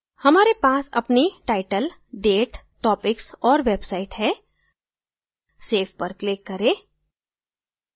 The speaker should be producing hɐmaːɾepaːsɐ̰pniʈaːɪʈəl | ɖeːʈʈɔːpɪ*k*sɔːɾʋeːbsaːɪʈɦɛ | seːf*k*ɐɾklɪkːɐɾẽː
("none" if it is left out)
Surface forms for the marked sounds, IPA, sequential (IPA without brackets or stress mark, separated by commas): k, p